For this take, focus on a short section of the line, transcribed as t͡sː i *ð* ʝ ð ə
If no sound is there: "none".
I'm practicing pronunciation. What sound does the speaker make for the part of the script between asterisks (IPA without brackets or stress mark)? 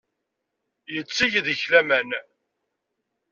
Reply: none